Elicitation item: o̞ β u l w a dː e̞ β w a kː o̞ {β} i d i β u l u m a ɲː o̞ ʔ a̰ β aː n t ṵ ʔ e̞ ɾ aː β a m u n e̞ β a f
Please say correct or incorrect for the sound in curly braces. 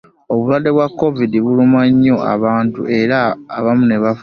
incorrect